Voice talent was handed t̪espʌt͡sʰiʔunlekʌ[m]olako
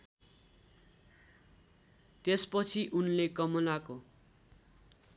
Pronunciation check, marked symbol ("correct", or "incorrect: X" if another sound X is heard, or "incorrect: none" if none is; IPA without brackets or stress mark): correct